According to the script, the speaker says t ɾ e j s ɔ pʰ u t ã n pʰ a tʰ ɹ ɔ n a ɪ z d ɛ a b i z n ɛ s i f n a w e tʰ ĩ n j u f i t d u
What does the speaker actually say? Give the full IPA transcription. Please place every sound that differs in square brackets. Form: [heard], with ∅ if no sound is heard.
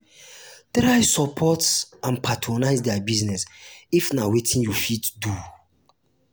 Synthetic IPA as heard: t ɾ [a] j s ɔ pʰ [ɔ] t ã n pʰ a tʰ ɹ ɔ n a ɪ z d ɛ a b i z n ɛ s i f n a w e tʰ ĩ n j u f i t d u

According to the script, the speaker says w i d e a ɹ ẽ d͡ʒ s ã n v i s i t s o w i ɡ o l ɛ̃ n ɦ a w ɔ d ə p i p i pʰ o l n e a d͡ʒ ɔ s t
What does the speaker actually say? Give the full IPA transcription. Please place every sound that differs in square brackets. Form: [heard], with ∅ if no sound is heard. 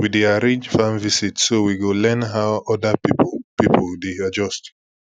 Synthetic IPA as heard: w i d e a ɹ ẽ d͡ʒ [f] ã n v i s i t s o w i ɡ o l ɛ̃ n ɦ a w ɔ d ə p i p i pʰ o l [d] e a d͡ʒ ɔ s t

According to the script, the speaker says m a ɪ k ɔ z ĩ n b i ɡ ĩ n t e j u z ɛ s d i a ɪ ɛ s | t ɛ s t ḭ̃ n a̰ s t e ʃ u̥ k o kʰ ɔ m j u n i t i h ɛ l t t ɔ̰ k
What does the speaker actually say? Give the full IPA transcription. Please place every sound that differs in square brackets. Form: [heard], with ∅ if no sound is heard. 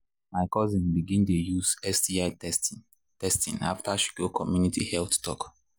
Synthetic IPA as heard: m a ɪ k ɔ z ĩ n b i ɡ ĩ n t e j u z ɛ s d i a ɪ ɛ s | t ɛ s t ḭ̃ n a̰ [f] t [a] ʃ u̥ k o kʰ ɔ m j u n i t i h ɛ l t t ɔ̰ k

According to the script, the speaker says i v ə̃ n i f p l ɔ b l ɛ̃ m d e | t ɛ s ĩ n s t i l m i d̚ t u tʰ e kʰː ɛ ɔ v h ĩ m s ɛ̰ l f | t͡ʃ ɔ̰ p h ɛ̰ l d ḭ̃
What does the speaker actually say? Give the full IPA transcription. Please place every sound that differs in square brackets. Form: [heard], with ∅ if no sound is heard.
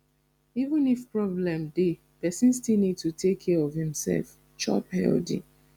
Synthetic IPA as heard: i v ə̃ n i f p [ɹ] ɔ b l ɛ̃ m d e | [p] ɛ s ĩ n s t i l [n] i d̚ t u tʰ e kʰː ɛ ɔ v h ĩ m s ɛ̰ l f | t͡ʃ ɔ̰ p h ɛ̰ l d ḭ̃

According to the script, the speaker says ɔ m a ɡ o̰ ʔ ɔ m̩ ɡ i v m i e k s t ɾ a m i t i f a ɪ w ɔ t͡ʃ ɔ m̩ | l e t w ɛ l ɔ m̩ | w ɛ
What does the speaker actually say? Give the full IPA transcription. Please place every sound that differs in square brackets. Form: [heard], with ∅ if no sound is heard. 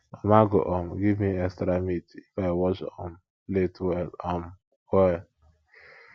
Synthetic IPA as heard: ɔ m a ɡ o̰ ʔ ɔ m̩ ɡ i v m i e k s t ɾ a m i t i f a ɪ w ɔ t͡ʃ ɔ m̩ | l e t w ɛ l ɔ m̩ | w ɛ

